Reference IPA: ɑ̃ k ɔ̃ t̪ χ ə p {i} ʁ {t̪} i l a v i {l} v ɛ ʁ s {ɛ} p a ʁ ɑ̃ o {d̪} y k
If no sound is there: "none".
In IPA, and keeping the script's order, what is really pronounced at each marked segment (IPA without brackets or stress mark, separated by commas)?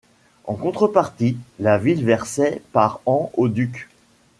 a, t̪, l, ɛ, d̪